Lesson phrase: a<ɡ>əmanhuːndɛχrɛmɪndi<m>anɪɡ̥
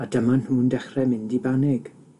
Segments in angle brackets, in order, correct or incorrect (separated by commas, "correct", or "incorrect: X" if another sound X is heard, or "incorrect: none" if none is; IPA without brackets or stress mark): incorrect: d, incorrect: b